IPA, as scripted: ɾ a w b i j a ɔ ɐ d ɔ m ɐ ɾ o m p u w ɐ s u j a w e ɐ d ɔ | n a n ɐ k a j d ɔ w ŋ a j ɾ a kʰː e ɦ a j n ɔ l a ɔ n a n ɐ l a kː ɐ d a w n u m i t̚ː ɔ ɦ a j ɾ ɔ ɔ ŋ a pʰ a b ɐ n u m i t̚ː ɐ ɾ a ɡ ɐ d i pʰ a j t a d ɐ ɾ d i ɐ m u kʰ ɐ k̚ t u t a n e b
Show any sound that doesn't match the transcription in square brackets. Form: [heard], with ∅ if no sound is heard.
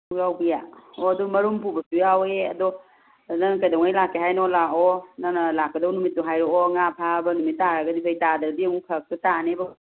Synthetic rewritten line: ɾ a w b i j a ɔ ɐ d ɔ m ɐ ɾ [u] m p u [b] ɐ s u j a w e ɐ d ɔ | n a n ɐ k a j d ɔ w ŋ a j [l] a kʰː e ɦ a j n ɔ l a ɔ n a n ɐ l a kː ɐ d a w n u m i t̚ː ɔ ɦ a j ɾ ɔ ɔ ŋ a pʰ a b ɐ n u m i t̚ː [a] ɾ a ɡ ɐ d i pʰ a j t a d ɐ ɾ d i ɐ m u kʰ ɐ k̚ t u t a n e b